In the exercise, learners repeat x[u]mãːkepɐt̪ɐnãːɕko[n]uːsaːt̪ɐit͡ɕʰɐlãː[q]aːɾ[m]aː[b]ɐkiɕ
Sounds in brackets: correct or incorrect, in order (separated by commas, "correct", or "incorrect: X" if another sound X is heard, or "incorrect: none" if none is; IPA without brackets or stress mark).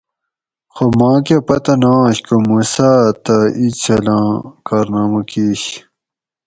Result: incorrect: o, incorrect: m, incorrect: k, incorrect: n, incorrect: m